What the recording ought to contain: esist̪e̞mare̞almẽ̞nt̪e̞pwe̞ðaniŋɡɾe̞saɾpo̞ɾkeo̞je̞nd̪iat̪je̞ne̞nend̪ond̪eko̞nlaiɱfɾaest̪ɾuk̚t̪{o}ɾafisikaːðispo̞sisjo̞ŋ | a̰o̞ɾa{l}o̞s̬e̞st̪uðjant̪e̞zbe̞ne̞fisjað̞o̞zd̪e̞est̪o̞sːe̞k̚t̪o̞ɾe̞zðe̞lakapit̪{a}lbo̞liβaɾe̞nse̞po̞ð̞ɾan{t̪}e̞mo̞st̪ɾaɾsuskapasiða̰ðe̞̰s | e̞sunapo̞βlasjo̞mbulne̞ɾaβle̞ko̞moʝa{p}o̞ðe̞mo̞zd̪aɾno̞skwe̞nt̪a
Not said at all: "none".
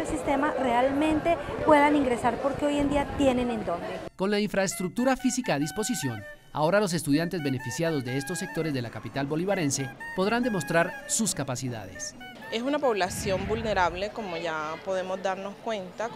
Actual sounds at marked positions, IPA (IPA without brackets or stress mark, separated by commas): u, l, a, d̪, p